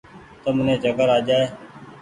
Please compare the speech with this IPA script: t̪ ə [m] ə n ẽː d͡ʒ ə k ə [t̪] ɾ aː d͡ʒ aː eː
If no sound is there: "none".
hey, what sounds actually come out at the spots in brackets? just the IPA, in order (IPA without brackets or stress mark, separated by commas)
m, none